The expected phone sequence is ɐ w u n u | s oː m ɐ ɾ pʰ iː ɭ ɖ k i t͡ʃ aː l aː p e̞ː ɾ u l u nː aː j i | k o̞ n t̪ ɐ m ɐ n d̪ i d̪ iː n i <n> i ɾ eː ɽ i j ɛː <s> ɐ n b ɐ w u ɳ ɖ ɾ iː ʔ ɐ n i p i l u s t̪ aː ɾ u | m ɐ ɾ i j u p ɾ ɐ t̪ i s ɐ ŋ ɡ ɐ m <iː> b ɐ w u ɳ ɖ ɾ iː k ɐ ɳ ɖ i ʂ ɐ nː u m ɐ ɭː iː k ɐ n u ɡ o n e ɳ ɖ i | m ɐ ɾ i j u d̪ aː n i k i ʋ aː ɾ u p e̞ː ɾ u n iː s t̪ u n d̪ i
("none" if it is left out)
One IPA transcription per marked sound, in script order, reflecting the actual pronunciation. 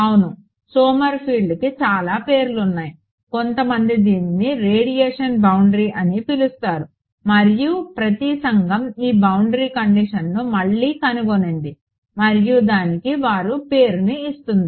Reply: n, ʂ, iː

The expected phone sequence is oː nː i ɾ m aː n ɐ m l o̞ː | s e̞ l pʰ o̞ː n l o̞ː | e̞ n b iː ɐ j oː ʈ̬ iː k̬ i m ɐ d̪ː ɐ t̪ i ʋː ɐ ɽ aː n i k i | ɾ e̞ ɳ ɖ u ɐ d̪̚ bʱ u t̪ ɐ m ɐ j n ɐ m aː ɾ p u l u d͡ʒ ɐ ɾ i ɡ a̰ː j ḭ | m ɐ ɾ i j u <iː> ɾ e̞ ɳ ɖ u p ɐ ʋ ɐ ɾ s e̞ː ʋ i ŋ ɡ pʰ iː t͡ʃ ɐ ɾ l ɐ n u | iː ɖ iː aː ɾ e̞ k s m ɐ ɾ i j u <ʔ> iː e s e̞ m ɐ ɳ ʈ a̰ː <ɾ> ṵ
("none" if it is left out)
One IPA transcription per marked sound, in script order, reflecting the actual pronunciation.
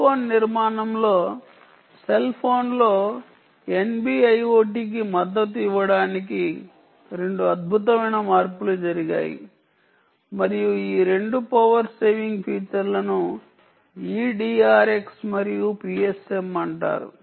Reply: iː, p, ɾ

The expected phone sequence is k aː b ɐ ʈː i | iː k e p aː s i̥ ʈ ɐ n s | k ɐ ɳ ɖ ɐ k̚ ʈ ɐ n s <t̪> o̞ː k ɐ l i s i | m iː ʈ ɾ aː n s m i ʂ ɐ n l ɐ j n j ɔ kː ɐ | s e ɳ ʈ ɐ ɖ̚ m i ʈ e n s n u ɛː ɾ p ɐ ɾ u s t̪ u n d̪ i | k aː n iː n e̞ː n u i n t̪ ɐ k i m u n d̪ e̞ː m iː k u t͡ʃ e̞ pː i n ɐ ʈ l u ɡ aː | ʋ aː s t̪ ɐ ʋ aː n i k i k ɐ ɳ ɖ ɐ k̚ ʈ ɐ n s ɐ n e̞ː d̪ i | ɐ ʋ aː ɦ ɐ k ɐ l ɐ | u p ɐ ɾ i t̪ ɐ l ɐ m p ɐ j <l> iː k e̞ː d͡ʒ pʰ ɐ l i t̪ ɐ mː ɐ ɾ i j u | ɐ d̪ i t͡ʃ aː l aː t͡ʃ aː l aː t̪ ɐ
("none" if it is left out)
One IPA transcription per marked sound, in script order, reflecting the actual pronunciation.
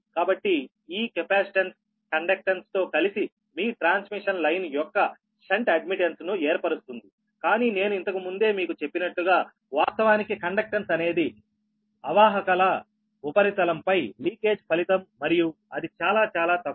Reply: t̪, l

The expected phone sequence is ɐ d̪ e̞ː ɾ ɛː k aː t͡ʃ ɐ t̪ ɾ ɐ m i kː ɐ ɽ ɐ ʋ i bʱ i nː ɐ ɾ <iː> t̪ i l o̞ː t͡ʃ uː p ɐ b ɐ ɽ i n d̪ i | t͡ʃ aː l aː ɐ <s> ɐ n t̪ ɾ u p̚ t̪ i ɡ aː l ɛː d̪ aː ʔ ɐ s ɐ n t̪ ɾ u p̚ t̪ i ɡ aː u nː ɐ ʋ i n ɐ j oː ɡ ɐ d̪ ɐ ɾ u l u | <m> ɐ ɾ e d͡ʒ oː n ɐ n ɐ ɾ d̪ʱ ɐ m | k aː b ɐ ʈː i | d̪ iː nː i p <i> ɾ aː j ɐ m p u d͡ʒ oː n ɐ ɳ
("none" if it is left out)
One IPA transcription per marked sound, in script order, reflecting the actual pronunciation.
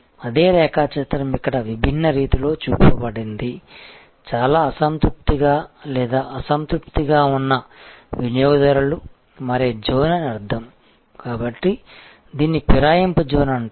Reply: iː, s, m, i

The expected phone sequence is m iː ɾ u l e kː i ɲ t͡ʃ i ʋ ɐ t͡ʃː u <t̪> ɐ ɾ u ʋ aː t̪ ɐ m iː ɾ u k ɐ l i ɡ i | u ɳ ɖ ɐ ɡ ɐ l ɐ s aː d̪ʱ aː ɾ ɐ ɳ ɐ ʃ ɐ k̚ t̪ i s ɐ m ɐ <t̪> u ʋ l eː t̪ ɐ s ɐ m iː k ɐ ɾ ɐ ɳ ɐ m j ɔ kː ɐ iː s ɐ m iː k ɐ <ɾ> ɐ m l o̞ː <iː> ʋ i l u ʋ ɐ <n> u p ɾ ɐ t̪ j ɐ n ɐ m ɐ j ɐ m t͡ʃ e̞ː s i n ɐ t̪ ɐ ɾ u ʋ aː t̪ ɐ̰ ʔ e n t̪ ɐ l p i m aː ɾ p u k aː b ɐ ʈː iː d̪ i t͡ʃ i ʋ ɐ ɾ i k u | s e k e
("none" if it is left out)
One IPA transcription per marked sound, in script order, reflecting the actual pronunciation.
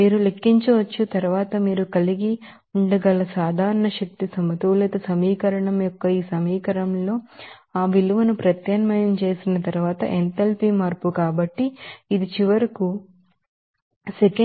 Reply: t̪, t̪, ɾ, aː, n

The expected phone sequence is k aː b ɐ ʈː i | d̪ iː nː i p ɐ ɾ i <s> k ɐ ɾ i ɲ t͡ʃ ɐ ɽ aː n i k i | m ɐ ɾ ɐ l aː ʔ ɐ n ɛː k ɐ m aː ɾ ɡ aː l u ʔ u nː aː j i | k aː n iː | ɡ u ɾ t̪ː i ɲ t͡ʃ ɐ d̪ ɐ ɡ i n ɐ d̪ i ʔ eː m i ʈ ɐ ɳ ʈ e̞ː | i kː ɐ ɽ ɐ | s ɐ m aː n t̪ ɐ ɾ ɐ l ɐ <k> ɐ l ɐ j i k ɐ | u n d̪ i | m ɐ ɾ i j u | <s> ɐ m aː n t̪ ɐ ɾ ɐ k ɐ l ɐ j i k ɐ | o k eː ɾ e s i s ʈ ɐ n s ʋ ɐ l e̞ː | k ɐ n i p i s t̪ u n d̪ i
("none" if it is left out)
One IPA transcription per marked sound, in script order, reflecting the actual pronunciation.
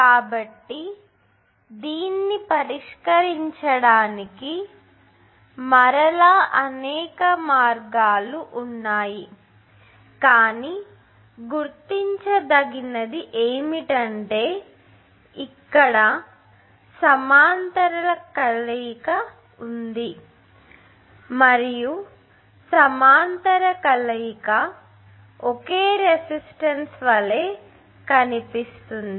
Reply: ʂ, k, s

